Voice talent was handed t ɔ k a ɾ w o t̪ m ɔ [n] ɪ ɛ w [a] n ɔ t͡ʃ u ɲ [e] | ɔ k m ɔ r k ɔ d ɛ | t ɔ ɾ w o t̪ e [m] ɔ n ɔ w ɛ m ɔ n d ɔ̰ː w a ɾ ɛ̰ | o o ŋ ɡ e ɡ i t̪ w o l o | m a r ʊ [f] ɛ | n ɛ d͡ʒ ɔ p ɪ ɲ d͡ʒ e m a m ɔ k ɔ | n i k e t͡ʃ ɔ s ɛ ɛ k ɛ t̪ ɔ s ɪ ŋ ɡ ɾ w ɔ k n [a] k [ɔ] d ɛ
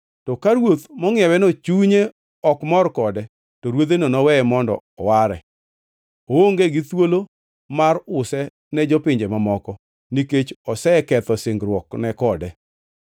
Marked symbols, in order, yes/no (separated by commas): no, no, yes, no, no, no, yes